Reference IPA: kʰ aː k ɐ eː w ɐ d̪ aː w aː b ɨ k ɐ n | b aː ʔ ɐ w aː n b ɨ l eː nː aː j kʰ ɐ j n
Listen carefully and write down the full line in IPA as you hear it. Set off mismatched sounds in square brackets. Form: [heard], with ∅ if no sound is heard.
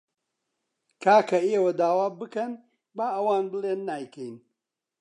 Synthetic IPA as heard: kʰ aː k ɐ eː w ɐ d̪ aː w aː b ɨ k ɐ n | b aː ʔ ɐ w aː n b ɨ l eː nː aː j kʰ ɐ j n

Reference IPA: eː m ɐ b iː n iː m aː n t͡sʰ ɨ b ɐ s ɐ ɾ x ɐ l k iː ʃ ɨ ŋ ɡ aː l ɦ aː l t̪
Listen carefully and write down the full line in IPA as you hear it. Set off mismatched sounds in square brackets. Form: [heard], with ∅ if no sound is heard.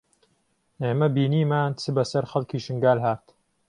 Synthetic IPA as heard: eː m ɐ b iː n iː m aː n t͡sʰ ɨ b ɐ s ɐ ɾ x ɐ l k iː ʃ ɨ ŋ ɡ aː l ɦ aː [ɾ] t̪

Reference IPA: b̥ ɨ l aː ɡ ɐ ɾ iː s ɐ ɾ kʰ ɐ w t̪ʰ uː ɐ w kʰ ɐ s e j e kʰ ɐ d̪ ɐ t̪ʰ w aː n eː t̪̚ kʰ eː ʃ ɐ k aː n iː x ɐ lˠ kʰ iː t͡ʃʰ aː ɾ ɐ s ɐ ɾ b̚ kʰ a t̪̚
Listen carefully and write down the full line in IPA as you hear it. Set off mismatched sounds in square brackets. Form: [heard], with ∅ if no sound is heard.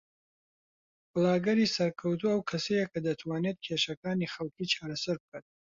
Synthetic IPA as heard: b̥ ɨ l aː ɡ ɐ ɾ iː s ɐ ɾ kʰ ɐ w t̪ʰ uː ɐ w kʰ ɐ s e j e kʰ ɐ d̪ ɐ t̪ʰ w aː n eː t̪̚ kʰ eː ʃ ɐ k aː n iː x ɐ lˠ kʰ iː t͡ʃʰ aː ɾ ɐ s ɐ ɾ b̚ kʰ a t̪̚

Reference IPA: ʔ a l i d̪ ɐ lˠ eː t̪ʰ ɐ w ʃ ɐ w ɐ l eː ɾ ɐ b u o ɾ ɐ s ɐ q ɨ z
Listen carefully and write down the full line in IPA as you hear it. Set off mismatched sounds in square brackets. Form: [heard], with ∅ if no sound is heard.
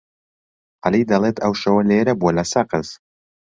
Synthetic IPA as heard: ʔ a l i d̪ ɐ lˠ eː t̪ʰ ɐ w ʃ ɐ w ɐ l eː ɾ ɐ b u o [l] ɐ s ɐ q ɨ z

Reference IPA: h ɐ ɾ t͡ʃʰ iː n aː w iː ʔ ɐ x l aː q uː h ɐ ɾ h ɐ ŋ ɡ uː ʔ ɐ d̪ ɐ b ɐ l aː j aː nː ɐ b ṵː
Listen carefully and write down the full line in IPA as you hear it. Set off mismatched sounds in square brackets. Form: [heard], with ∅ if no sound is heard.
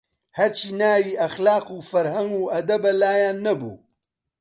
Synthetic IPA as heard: h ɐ ɾ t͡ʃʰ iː n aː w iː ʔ ɐ x l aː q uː [f] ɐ ɾ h ɐ ŋ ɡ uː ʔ ɐ d̪ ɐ b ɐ l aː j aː nː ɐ b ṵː

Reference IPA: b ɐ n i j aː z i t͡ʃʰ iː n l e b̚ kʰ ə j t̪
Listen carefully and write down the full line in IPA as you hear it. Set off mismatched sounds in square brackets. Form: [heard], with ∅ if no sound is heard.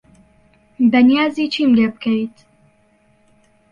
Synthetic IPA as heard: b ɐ n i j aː z i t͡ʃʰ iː [m] l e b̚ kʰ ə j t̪

